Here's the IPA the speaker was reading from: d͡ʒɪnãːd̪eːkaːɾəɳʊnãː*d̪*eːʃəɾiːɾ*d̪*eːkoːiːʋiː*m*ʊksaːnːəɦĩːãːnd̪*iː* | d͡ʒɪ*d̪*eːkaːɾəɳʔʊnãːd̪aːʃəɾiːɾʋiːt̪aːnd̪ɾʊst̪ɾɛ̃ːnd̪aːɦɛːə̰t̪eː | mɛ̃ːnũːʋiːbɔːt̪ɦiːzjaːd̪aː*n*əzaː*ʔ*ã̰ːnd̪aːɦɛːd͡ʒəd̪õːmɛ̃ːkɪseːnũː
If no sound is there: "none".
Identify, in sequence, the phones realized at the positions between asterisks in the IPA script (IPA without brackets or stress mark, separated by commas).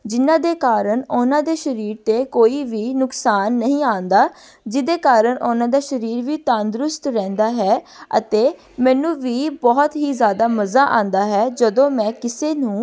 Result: d̪, t̪, n, aː, d̪, m, ʔ